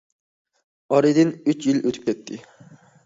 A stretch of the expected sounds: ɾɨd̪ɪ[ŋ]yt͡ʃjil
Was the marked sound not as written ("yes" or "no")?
yes